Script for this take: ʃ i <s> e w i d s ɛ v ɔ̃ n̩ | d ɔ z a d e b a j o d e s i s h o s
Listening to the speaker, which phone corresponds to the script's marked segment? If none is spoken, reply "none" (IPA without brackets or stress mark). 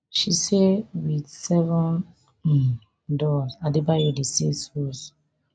s